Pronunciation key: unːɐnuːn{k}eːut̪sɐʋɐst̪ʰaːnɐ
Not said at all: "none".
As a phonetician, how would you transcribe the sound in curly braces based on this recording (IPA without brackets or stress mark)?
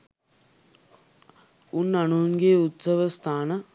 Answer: ɡ